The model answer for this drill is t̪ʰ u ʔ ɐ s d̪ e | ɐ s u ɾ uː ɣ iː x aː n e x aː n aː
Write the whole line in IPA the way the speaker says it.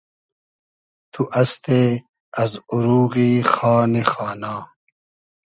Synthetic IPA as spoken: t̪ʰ u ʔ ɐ s t̪ e | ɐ z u ɾ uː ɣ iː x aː n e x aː n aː

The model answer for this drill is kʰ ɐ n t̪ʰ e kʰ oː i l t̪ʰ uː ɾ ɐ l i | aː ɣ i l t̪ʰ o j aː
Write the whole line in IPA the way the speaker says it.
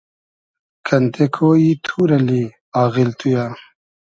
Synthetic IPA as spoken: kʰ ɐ n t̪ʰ e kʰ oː i t̪ʰ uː ɾ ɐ l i | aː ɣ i l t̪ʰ u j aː

